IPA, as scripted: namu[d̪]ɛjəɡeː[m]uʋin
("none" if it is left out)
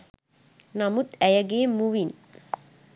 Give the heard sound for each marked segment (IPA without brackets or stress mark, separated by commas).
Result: t̪, m